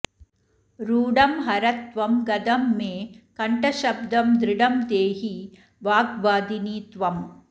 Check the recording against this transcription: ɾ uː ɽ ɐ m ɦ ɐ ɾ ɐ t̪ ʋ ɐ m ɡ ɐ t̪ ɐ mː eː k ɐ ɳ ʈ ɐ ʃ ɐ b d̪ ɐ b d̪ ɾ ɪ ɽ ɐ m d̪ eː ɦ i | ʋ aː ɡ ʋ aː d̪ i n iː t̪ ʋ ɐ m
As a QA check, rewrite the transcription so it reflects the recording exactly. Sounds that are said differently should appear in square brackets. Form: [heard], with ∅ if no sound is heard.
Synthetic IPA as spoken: ɾ uː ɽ ɐ m ɦ ɐ ɾ ɐ t̪ ʋ ɐ m ɡ ɐ [d̪] ɐ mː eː k ɐ ɳ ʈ ɐ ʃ ɐ b d̪ ɐ [m] d̪ ɾ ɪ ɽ ɐ m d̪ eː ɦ i | ʋ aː ɡ ʋ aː d̪ i n iː t̪ ʋ ɐ m